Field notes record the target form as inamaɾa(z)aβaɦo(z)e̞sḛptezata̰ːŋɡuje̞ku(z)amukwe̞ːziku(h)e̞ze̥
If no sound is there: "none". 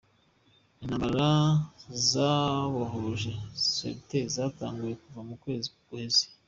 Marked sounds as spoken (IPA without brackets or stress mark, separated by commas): z, ʒ, v, h